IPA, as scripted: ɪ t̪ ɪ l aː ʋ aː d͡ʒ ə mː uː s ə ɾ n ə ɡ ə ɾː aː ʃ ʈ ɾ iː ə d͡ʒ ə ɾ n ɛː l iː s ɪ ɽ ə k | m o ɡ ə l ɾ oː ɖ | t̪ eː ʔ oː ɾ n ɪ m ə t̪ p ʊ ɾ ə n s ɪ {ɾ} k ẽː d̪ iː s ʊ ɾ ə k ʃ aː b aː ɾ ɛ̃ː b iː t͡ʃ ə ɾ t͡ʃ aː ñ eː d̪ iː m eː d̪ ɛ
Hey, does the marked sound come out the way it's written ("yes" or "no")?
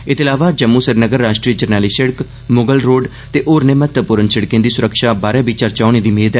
no